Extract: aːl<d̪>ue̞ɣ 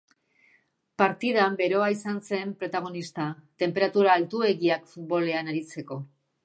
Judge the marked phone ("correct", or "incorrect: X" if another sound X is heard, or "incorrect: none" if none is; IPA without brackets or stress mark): incorrect: t̪